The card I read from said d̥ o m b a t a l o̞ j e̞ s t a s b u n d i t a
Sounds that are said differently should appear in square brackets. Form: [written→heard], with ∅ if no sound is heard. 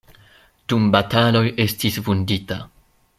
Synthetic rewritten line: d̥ [o→u] m b a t a l o̞ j e̞ s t [a→i] s [b→v] u n d i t a